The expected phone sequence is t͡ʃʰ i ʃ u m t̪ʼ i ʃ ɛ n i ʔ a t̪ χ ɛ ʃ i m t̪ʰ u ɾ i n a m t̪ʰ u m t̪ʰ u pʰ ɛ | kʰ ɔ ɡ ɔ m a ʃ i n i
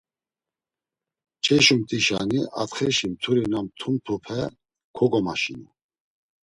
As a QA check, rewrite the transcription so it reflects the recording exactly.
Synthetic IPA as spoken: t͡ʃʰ ɛ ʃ u m t̪ʼ i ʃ a n i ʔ a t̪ χ ɛ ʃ i m t̪ʰ u ɾ i n a m t̪ʰ u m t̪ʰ u pʰ ɛ | kʰ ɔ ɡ ɔ m a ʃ i n i